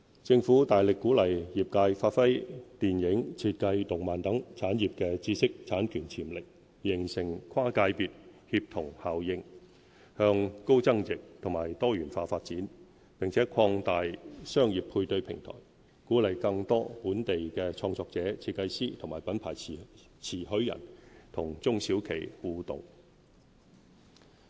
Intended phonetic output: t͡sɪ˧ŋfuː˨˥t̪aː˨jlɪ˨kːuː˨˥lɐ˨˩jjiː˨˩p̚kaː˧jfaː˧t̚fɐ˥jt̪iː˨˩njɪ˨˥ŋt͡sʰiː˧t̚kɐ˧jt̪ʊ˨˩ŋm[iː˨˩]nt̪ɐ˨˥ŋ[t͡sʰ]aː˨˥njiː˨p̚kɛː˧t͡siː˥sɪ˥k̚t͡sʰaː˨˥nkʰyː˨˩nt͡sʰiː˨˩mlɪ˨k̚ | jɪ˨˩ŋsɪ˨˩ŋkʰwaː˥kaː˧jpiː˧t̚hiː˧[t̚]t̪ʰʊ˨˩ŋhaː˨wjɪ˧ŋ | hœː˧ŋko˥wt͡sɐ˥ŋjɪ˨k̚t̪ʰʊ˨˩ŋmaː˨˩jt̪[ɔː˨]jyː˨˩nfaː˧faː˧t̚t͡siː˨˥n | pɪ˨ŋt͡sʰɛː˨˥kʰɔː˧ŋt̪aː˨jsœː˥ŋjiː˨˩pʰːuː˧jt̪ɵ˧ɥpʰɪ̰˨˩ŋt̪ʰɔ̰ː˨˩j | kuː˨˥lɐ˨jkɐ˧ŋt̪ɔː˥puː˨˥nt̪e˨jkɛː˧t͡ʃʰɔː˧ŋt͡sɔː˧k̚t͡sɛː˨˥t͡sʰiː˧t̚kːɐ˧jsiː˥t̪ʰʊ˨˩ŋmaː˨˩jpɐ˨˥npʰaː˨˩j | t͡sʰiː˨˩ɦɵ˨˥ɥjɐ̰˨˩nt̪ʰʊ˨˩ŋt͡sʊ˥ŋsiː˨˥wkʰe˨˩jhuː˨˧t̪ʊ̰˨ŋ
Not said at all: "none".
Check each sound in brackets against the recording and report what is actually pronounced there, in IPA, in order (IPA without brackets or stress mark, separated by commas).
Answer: aː˨˩, t͡sʰ, p̚, ɔː˥